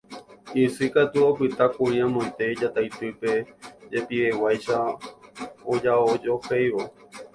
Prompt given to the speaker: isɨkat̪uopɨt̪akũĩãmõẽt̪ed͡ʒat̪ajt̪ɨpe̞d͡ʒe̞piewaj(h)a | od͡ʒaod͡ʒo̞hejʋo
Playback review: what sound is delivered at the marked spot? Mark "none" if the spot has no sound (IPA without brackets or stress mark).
ʃ